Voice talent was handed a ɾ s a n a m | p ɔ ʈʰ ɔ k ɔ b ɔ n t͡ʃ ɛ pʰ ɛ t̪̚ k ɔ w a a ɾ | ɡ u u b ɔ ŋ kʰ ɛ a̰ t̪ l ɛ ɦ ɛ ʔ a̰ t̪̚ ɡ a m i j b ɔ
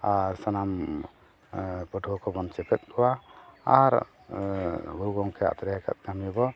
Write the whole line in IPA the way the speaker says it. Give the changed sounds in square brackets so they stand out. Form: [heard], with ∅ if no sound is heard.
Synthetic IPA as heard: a ɾ s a n a m | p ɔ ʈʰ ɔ k ɔ b ɔ n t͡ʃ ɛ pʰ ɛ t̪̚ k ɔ w a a ɾ | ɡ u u [ɡ] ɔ ŋ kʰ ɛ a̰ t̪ [ɾ] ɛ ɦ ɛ [k] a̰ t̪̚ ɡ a m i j b ɔ